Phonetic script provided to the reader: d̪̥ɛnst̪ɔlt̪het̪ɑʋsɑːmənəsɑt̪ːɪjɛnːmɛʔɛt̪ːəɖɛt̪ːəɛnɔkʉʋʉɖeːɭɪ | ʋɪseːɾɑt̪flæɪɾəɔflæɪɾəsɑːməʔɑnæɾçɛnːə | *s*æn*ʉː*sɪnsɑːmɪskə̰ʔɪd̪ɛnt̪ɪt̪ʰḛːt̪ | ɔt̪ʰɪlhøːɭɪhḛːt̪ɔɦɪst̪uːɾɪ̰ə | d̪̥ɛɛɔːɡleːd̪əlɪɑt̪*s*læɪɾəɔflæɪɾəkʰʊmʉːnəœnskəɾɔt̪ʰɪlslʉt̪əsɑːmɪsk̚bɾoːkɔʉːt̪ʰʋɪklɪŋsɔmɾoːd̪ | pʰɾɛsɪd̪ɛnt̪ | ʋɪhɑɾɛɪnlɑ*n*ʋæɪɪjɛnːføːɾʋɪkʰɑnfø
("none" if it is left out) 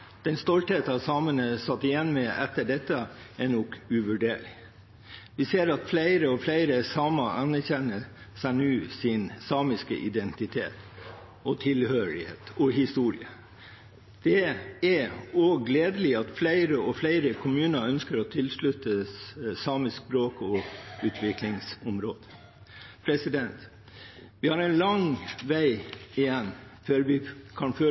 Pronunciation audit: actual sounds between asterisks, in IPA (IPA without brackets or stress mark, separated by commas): s, ʉː, f, ŋ